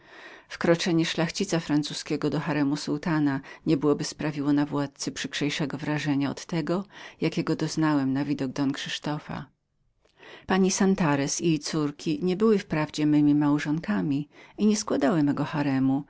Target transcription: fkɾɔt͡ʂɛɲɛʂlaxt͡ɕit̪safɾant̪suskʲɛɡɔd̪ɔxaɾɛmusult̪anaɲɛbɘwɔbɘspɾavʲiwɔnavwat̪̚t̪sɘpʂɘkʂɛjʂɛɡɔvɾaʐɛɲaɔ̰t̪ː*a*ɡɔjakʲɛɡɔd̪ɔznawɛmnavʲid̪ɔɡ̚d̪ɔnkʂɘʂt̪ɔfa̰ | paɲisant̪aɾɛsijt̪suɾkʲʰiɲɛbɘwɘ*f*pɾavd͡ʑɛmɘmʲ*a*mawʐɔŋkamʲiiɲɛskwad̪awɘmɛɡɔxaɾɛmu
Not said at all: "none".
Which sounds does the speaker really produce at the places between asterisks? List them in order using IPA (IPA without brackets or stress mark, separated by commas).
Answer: ɛ, f, i